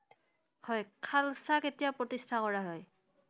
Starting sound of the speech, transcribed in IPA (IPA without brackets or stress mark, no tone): h